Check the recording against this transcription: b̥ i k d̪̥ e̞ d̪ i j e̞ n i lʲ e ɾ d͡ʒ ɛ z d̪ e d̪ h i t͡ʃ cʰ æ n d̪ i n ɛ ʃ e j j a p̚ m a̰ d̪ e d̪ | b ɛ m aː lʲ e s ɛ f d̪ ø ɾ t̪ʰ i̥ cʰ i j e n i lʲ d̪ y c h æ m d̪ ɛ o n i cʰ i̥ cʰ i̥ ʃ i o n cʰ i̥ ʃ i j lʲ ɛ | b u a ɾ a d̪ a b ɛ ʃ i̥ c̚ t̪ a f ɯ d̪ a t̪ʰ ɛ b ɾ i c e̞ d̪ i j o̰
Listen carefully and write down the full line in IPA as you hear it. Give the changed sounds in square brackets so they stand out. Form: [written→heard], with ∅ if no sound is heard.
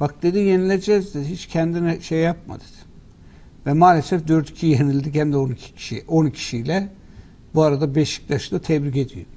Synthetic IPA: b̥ [i→a] k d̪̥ e̞ d̪ i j e̞ n i lʲ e [ɾ→∅] d͡ʒ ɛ z d̪ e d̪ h i t͡ʃ cʰ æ n d̪ i n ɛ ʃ e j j a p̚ m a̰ d̪ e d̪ | [b→v] ɛ m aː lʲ e s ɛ f d̪ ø ɾ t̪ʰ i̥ cʰ i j e n i lʲ d̪ [y→i] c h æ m d̪ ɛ o n i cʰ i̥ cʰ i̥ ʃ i o n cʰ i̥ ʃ i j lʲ ɛ | b u a ɾ a d̪ a b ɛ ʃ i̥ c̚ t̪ a [f→ʃ] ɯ d̪ a t̪ʰ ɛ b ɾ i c e̞ d̪ i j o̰

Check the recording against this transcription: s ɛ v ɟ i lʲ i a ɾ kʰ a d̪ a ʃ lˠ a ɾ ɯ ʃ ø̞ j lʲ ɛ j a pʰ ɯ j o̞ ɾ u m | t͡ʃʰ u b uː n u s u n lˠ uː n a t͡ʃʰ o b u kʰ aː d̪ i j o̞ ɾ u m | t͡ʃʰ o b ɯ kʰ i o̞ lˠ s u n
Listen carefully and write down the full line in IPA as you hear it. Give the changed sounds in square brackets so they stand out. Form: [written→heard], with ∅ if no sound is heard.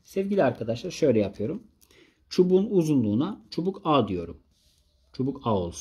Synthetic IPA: s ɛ v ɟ i lʲ i a ɾ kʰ a d̪ a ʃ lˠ a ɾ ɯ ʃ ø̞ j lʲ ɛ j a pʰ ɯ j o̞ ɾ u m | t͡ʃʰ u b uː n u [s→z] u n lˠ uː n a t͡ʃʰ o b u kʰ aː d̪ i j o̞ ɾ u m | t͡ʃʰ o b [ɯ→u] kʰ [i→a] o̞ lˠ s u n

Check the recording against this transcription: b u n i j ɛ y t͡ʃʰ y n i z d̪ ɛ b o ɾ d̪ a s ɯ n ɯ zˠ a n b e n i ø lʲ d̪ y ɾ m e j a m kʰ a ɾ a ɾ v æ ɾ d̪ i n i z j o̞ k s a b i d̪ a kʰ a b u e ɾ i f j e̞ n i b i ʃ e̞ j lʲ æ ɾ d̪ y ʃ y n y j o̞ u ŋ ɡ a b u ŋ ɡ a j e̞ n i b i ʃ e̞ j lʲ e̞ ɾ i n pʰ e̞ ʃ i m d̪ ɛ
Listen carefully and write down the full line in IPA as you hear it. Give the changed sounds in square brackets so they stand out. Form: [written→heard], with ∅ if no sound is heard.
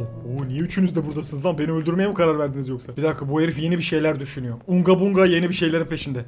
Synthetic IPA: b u n i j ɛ y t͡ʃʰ y n [i→y] z d̪ ɛ b [o→u] ɾ d̪ a s ɯ n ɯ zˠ a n b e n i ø lʲ d̪ y ɾ m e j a m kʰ a ɾ a ɾ v æ ɾ d̪ i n i z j o̞ k s a b i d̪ a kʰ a b u e ɾ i f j e̞ n i b i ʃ e̞ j lʲ æ ɾ d̪ y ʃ y n y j o̞ u ŋ ɡ a b u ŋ ɡ a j e̞ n i b i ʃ e̞ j lʲ e̞ ɾ i n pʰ e̞ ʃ i [m→n] d̪ ɛ

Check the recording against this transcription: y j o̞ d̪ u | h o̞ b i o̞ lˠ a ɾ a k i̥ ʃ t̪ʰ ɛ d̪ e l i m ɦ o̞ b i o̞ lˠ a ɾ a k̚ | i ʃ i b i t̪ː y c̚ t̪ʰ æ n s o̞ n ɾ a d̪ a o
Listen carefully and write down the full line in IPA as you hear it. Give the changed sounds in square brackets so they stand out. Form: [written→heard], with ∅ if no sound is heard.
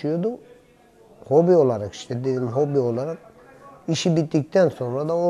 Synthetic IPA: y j o̞ d̪ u | h o̞ b i o̞ lˠ a ɾ a k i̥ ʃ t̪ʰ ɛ d̪ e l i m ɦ o̞ b i o̞ lˠ a ɾ a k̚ | i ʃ i b i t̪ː [y→i] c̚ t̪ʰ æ n s o̞ n ɾ a d̪ a o

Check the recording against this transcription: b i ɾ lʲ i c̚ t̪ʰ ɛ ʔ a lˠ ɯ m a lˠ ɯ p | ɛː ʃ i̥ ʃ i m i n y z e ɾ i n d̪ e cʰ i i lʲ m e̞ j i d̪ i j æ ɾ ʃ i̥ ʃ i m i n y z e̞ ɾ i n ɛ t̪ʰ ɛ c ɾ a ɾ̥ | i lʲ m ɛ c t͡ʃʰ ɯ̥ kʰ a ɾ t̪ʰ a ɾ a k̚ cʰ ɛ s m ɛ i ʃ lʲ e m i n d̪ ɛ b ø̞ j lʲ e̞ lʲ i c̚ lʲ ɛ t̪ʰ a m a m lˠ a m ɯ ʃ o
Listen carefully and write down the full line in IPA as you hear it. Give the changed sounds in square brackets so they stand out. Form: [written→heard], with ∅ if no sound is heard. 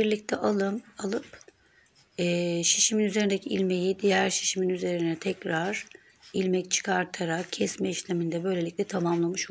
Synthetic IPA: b i ɾ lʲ i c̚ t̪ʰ ɛ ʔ a lˠ ɯ m a lˠ ɯ p | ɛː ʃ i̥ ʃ i m i n y z e ɾ i n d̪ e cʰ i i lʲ m e̞ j i d̪ i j æ ɾ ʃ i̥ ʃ i m i n y z e̞ ɾ i n ɛ t̪ʰ ɛ c ɾ a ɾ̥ | i lʲ m ɛ c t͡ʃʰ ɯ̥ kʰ a ɾ t̪ʰ a ɾ a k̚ cʰ ɛ s m ɛ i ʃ lʲ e m i n d̪ ɛ b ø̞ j lʲ e̞ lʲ i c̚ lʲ ɛ t̪ʰ a m a m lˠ a m ɯ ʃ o

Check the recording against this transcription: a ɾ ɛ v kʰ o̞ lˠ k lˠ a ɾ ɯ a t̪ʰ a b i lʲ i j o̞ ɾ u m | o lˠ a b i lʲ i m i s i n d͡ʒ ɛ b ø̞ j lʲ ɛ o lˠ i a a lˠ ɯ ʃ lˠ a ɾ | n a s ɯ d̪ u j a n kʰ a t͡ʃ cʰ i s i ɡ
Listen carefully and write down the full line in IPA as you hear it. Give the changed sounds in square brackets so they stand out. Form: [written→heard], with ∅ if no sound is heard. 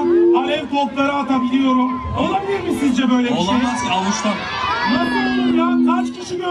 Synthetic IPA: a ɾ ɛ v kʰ o̞ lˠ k lˠ a ɾ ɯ a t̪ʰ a b i lʲ i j o̞ ɾ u m | o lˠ a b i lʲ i m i s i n d͡ʒ ɛ b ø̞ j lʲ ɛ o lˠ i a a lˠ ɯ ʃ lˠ a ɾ | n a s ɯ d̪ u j a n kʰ a t͡ʃ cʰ i [s→ʃ] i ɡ

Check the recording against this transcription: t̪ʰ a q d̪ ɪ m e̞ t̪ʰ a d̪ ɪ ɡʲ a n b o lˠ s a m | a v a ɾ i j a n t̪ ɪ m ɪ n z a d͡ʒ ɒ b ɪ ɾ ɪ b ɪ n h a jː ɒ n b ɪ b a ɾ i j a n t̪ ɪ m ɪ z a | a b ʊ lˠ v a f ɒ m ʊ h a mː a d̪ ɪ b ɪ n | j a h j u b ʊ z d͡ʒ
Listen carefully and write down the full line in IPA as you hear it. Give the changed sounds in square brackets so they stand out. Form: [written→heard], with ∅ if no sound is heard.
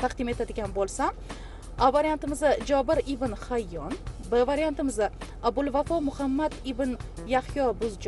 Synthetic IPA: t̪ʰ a q d̪ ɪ m e̞ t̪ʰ a d̪ ɪ ɡʲ a n b o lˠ s a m | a v a ɾ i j a n t̪ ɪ m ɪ [n→∅] z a d͡ʒ ɒ b ɪ ɾ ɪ b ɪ n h a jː ɒ n b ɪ [b→v] a ɾ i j a n t̪ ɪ m ɪ z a | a b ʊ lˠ v a f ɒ m ʊ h a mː a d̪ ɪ b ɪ n | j a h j [u→ɒ] b ʊ z d͡ʒ

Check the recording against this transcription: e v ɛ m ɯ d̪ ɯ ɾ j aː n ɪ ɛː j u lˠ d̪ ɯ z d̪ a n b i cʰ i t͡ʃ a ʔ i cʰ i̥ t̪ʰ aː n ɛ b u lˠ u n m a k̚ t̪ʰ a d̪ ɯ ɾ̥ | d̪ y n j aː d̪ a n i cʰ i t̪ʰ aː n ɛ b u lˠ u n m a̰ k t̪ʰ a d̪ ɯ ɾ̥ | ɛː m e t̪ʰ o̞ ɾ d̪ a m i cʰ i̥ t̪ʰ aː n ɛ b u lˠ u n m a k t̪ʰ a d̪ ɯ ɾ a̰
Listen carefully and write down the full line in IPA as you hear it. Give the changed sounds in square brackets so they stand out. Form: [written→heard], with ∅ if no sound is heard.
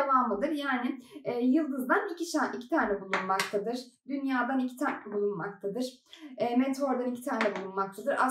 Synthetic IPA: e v [ɛ→a] m ɯ d̪ ɯ ɾ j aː n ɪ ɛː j [u→ɯ] lˠ d̪ ɯ z d̪ a n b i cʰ i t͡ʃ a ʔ i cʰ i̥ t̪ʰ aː n ɛ b u lˠ u n m a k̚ t̪ʰ a d̪ ɯ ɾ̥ | d̪ y n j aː d̪ a n i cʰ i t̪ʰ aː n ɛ b u lˠ u n m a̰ k t̪ʰ a d̪ ɯ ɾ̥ | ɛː m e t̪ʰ o̞ ɾ d̪ a [m→n] i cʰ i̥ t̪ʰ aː n ɛ b u lˠ u n m a k t̪ʰ a d̪ ɯ ɾ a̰

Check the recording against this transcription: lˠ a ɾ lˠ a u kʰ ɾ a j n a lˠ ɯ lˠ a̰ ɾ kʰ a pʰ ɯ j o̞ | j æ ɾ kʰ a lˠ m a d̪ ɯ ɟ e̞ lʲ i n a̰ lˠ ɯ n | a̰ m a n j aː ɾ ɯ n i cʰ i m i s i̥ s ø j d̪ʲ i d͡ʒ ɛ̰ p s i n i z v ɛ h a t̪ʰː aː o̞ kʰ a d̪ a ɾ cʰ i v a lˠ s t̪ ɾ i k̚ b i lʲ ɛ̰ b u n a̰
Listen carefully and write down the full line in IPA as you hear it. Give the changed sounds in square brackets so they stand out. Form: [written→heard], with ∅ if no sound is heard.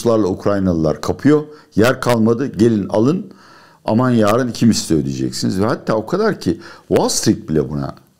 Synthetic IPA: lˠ a ɾ lˠ a u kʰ ɾ a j n a lˠ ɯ lˠ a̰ ɾ kʰ a pʰ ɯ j o̞ | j æ ɾ kʰ a lˠ m a d̪ ɯ ɟ e̞ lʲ i n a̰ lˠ ɯ n | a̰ m a n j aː ɾ ɯ n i cʰ i m i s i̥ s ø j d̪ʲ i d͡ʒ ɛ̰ [p→c] s i n i z v ɛ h a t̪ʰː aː o̞ kʰ a d̪ a ɾ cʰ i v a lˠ s t̪ ɾ i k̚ b i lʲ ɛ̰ b u n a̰

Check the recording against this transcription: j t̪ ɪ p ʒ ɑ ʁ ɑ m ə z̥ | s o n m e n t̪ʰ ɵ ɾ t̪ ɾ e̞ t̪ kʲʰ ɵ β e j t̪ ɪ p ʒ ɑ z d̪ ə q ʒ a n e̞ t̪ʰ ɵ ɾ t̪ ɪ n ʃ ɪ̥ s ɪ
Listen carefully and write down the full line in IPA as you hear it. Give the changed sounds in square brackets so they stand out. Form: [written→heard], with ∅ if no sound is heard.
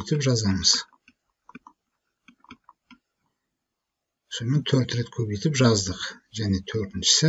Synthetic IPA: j t̪ ɪ p ʒ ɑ [ʁ→z] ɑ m ə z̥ | s o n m e n t̪ʰ ɵ ɾ t̪ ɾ e̞ t̪ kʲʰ ɵ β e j t̪ ɪ p ʒ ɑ z d̪ ə q ʒ [a→æ] n e̞ t̪ʰ ɵ ɾ t̪ ɪ n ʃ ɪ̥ s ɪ

